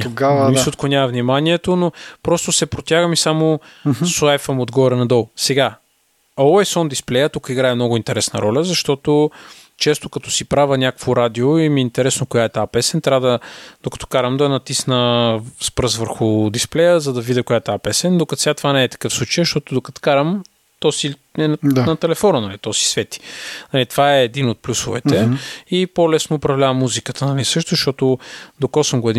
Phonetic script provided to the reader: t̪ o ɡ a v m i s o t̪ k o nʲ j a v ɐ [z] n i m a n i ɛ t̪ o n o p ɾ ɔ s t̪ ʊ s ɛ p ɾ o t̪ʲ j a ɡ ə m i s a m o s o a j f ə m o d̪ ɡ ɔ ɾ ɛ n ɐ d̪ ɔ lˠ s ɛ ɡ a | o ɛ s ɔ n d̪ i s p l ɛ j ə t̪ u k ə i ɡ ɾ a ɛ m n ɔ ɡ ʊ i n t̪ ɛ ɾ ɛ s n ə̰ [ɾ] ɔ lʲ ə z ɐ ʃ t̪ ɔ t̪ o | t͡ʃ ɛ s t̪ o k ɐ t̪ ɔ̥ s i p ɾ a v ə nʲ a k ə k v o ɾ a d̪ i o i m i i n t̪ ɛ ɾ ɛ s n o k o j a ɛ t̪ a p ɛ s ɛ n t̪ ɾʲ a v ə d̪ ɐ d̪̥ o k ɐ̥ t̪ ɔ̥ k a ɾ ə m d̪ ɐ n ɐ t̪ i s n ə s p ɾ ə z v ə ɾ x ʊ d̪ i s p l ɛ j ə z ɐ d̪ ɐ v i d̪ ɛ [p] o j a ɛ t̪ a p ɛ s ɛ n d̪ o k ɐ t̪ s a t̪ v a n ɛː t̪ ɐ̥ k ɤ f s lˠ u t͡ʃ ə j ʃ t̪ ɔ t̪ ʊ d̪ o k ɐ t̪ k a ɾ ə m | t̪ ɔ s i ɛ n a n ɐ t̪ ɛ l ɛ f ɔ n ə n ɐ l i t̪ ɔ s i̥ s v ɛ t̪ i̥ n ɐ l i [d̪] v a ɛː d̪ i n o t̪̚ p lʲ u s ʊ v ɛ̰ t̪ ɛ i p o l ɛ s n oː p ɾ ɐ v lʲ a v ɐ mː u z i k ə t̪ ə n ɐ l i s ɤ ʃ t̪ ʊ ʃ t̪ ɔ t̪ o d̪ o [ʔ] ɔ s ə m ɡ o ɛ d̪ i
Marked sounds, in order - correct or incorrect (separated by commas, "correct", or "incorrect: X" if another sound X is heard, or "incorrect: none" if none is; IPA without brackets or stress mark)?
incorrect: v, correct, incorrect: k, incorrect: t̪, incorrect: k